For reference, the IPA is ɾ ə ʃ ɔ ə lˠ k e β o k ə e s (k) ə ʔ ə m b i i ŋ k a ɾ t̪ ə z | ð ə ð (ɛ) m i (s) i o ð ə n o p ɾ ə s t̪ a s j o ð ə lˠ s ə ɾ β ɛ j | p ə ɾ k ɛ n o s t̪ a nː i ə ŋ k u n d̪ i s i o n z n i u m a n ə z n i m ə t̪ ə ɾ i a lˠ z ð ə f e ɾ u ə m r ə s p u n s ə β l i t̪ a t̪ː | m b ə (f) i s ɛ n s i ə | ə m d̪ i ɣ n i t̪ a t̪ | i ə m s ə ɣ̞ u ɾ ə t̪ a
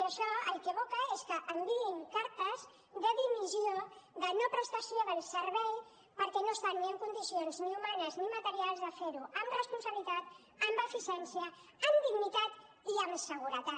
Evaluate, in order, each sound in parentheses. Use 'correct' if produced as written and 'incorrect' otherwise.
correct, incorrect, incorrect, correct

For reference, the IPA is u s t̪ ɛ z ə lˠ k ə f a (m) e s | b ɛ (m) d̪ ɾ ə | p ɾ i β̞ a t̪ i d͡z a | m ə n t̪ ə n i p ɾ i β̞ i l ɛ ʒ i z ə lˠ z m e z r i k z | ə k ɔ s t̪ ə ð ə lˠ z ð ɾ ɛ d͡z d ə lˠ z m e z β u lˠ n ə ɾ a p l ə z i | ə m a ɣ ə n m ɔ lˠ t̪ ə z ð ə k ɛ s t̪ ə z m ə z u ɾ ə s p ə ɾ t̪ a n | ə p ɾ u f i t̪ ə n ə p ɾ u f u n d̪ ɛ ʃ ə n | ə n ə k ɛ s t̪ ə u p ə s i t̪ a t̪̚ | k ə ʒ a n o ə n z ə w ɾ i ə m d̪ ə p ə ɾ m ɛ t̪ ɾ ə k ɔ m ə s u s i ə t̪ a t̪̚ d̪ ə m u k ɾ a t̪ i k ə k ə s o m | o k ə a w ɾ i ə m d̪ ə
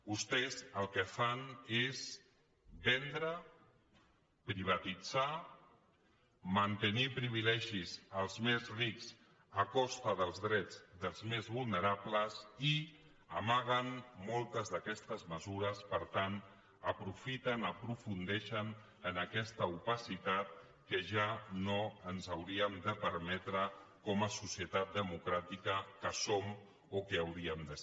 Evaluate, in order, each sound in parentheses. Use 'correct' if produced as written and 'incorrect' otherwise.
incorrect, incorrect

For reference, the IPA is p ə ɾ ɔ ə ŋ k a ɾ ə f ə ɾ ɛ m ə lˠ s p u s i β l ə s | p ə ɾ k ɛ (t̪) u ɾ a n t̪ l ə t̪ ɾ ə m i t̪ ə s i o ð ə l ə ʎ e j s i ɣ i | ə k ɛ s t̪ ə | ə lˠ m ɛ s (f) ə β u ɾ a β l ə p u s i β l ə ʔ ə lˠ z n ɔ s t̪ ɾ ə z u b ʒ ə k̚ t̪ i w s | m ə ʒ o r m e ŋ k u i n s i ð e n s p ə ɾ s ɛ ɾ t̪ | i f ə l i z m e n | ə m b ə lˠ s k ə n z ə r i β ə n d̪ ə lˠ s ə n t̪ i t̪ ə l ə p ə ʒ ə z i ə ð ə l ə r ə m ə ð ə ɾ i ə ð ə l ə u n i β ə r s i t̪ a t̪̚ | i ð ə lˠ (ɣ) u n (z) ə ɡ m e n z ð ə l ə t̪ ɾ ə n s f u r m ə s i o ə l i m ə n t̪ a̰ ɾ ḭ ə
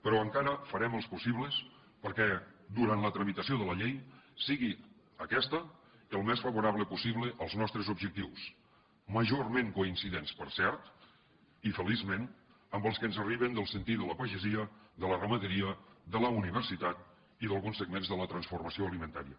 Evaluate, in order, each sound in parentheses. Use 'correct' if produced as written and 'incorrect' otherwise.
incorrect, correct, correct, incorrect

